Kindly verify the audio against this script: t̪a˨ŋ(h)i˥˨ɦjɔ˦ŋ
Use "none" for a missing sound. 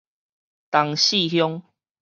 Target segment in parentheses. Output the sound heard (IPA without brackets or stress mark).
ɕ